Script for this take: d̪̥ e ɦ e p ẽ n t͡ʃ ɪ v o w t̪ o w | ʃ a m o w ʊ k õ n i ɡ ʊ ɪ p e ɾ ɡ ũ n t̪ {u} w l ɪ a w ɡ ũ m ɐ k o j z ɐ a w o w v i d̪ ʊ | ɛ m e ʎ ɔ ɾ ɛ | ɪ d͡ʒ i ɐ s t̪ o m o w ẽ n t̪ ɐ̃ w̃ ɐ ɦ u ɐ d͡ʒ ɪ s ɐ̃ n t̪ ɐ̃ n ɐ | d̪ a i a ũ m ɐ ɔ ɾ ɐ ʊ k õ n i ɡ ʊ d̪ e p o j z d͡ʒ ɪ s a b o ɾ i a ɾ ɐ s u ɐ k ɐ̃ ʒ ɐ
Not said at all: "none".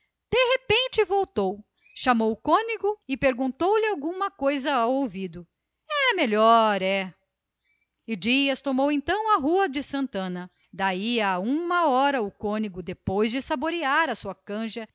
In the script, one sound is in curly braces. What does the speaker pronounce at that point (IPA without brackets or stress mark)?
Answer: o